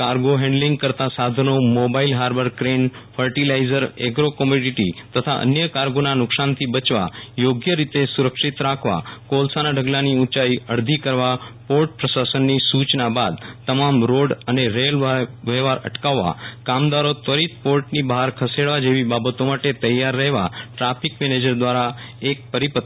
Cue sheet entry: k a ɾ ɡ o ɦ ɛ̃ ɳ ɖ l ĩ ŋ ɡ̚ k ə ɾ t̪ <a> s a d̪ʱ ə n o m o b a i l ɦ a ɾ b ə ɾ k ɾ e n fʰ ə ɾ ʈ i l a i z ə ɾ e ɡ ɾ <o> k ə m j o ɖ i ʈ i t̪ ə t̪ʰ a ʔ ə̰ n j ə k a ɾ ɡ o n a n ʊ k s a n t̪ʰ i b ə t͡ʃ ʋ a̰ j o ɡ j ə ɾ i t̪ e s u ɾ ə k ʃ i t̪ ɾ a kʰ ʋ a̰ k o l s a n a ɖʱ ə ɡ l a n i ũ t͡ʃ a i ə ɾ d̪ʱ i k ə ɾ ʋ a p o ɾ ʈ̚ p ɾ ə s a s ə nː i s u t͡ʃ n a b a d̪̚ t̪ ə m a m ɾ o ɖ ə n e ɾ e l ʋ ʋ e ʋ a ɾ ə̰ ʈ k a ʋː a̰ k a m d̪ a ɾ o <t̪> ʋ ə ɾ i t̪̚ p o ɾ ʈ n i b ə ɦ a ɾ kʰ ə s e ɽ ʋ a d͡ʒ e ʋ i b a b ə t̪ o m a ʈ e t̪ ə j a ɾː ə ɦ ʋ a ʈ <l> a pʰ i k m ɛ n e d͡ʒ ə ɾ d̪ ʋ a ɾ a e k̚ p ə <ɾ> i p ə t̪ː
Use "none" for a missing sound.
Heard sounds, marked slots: a, o, t̪, ɾ, ɾ

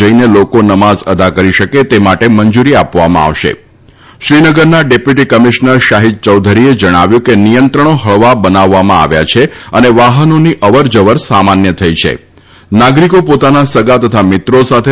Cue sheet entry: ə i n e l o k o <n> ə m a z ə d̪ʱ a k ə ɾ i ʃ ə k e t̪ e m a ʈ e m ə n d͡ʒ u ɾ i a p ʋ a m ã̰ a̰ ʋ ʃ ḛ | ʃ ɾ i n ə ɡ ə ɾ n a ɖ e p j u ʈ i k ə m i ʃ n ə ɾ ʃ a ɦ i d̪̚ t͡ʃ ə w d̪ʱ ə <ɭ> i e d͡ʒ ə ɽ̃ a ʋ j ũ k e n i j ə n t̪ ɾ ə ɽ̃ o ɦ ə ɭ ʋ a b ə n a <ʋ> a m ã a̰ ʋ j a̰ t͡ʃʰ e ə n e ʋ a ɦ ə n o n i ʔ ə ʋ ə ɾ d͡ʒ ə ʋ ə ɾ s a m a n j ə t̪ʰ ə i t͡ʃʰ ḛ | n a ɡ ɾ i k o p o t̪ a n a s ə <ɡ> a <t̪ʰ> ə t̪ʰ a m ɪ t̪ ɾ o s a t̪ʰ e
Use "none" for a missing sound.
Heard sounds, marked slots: n, ɾ, ʋː, ɡ, t̪

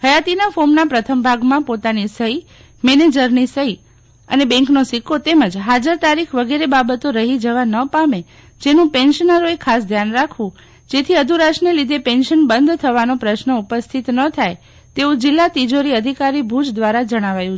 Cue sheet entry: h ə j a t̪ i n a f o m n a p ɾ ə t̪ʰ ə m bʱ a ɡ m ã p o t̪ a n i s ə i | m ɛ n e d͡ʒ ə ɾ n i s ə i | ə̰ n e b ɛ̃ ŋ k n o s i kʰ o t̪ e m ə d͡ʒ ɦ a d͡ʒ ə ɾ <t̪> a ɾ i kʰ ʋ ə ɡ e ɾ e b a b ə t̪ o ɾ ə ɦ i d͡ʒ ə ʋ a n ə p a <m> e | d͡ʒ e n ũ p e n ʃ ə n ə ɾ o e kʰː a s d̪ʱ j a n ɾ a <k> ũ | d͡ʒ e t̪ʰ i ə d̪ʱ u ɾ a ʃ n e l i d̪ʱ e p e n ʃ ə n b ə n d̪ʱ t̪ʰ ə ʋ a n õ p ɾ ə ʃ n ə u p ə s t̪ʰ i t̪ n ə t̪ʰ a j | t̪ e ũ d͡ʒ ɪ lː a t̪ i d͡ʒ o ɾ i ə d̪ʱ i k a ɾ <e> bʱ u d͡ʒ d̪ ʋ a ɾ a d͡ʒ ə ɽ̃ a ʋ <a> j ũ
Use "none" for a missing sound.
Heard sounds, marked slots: t̪, m, kʰ, i, a

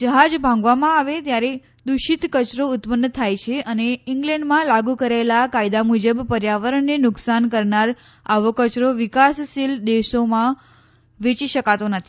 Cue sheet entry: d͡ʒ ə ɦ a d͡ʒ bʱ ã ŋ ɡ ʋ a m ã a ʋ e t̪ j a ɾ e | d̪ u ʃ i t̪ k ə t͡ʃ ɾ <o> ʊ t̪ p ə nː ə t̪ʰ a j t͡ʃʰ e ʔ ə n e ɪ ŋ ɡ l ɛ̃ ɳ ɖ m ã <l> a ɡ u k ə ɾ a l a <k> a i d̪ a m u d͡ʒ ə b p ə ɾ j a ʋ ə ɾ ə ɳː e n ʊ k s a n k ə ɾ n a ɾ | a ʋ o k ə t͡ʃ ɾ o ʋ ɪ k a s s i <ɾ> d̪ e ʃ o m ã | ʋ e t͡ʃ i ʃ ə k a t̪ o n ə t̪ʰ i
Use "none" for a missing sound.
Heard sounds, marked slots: o, l, k, l

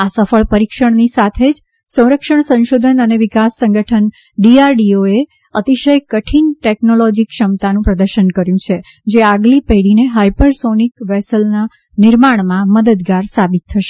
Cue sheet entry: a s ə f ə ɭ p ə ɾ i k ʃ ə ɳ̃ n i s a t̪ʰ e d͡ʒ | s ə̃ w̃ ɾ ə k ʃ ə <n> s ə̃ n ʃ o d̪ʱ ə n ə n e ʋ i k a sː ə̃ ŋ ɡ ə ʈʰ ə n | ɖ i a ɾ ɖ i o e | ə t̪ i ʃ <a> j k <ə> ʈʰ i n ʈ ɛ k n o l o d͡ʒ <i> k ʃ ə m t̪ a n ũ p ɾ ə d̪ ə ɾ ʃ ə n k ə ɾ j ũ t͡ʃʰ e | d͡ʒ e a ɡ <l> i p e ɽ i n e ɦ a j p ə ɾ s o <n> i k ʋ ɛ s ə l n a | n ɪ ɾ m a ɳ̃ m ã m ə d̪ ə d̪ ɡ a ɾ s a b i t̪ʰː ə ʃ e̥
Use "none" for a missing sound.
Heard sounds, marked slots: ɳ, ə, ə, i, l, n

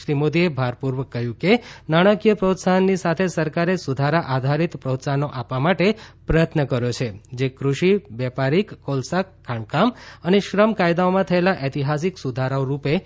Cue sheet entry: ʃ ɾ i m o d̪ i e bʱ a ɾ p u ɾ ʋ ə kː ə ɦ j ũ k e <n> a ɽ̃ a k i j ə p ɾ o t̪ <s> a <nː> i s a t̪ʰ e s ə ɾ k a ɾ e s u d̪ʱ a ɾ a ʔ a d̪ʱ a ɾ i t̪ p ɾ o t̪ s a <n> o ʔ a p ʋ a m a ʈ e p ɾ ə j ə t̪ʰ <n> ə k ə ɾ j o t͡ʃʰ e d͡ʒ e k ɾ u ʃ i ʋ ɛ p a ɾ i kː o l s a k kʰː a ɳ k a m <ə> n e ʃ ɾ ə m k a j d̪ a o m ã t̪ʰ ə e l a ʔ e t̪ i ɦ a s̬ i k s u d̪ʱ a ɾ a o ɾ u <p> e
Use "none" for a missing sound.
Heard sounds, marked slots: n, s, nː, n, n, ə, p

